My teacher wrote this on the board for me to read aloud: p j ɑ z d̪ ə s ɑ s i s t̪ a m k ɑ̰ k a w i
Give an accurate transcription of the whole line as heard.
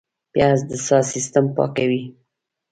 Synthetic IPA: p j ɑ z d̪ ə s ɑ s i s t̪ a m p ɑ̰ k a w i